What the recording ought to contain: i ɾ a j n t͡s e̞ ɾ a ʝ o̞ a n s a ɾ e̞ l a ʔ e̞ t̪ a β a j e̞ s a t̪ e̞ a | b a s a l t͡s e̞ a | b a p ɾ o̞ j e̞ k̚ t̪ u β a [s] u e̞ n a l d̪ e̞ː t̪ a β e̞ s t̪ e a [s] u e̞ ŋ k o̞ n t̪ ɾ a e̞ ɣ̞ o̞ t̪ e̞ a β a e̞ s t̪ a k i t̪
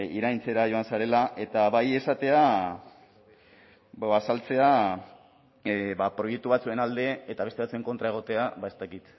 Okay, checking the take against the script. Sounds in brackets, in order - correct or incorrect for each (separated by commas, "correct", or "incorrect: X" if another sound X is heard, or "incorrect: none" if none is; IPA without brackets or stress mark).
incorrect: t͡s, incorrect: t͡s